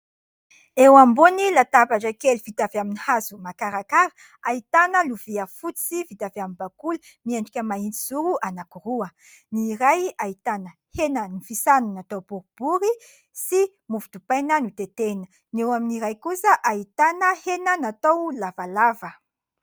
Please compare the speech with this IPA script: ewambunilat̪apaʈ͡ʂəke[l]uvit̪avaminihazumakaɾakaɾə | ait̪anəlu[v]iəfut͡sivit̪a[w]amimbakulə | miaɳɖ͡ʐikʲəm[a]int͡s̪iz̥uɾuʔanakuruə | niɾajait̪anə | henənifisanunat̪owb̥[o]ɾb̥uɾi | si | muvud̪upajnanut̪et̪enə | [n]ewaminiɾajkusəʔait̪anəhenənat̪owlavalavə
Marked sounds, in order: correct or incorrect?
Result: correct, correct, incorrect, correct, incorrect, correct

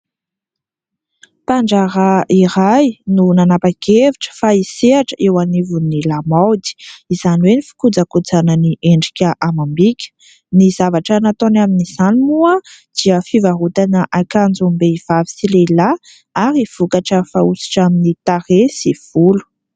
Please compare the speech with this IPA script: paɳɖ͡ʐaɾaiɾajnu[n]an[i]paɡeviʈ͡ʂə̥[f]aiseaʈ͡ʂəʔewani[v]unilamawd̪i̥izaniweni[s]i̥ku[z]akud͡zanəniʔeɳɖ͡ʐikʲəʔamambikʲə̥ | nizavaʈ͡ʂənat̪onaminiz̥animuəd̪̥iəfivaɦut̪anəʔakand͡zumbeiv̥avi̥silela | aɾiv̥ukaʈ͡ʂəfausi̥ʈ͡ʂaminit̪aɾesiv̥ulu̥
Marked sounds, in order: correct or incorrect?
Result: correct, incorrect, correct, correct, incorrect, incorrect

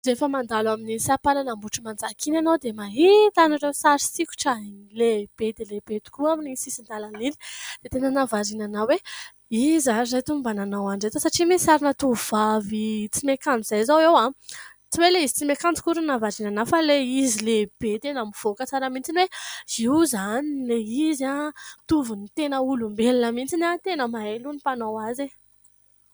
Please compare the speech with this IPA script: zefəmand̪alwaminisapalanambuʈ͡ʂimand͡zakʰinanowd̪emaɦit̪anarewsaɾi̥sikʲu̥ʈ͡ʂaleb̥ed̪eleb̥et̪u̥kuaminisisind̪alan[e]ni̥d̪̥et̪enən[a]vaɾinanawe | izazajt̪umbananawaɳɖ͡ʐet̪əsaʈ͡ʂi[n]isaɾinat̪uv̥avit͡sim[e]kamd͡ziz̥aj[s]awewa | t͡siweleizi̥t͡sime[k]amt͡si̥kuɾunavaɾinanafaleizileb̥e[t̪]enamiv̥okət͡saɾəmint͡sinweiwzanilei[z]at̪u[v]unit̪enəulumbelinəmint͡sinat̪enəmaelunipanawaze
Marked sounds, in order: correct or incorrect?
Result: incorrect, correct, incorrect, correct, incorrect, correct, correct, correct, correct

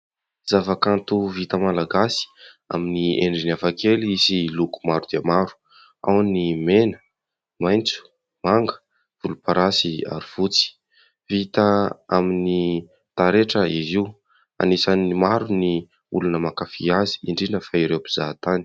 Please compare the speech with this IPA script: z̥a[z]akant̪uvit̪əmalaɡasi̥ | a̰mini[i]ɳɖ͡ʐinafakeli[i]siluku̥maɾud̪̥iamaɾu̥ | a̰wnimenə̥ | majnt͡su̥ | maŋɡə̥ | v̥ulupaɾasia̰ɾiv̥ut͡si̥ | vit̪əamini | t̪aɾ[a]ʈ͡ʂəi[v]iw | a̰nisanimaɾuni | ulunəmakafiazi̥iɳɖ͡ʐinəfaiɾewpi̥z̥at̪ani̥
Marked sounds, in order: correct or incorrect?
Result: incorrect, incorrect, correct, incorrect, incorrect

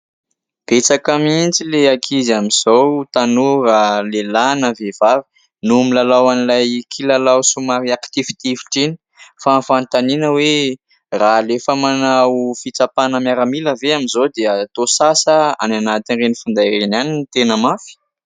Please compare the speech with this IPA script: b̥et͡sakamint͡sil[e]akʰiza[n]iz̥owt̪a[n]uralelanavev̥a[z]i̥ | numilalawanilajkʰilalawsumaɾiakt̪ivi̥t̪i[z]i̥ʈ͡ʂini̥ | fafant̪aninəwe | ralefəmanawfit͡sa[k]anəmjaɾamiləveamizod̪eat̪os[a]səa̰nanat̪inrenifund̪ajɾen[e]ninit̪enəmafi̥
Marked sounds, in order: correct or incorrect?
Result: correct, incorrect, correct, incorrect, incorrect, incorrect, correct, incorrect

